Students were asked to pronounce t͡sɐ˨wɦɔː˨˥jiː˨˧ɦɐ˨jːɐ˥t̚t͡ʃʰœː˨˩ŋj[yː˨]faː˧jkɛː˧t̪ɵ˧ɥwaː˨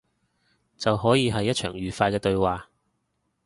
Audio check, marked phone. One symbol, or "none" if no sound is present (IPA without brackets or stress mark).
yː˨